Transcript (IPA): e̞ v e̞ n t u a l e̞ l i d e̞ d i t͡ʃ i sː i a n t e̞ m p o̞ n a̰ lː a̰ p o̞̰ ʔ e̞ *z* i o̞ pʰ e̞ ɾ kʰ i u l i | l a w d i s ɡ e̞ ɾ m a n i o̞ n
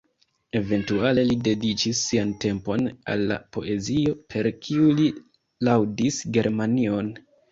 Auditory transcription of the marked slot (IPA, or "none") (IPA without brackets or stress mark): z